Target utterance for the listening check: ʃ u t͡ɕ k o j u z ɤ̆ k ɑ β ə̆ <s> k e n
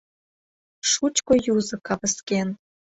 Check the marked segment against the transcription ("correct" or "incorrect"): correct